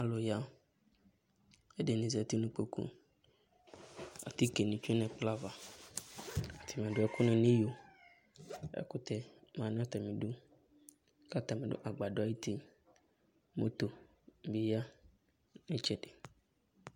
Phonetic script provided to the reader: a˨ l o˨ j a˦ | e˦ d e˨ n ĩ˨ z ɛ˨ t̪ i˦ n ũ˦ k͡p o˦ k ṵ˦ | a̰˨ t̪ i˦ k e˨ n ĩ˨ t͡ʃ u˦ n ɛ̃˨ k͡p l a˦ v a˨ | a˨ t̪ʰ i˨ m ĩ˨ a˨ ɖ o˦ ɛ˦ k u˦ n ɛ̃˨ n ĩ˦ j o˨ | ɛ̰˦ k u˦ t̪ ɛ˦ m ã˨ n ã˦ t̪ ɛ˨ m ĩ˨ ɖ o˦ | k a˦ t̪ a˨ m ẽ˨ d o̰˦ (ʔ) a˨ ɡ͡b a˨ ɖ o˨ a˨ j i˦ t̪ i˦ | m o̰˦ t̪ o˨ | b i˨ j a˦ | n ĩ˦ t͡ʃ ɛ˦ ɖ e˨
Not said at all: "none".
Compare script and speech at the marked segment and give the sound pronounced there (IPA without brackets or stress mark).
ʔ